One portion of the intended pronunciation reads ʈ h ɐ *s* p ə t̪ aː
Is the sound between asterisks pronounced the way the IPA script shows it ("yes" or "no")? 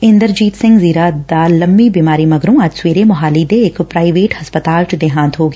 yes